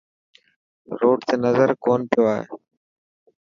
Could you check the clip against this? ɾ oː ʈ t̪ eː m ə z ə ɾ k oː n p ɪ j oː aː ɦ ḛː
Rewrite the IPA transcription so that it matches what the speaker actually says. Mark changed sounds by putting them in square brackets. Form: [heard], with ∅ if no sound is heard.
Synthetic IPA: ɾ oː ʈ t̪ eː [n] ə z ə ɾ k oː n p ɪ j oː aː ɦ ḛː